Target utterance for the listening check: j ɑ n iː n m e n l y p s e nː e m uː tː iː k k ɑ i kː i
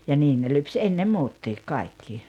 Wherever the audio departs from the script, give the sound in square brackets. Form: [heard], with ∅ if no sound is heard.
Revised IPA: j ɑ n iː n [n] e [∅] l y p s e nː e m uː tː iː k k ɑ i kː i